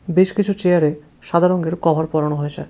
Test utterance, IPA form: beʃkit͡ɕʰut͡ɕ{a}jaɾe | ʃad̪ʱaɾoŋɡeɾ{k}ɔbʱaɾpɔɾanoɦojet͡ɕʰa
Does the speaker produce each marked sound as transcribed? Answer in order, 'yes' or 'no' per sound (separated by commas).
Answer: no, yes